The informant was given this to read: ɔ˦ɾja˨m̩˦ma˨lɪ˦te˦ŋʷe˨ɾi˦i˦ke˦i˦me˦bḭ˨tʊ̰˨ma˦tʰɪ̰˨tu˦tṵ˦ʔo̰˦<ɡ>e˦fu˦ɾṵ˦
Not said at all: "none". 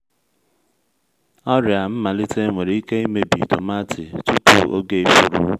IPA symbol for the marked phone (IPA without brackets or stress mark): ɡ